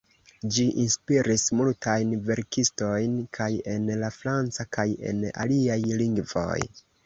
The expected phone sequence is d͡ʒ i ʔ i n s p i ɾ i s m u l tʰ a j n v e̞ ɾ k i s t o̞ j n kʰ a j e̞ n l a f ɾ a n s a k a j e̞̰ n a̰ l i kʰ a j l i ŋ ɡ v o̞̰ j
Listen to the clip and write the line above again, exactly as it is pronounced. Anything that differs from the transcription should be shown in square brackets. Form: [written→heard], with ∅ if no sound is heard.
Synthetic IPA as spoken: d͡ʒ i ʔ i n s p i ɾ i s m u l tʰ a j n v e̞ ɾ k i s t o̞ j n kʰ a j e̞ n l a f ɾ a n [s→t͡s] a k a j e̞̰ n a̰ l i [kʰ→∅] a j l i ŋ ɡ v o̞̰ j